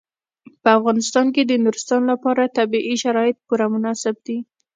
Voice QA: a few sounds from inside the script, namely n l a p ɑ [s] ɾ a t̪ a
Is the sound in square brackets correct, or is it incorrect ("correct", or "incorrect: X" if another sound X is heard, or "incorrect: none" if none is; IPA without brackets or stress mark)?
incorrect: none